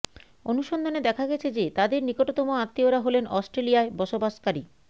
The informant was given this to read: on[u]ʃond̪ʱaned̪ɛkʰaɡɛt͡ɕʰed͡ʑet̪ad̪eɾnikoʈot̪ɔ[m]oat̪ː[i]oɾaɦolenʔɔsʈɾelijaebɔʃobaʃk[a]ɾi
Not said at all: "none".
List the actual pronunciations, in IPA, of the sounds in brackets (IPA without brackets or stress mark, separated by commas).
u, m, i, a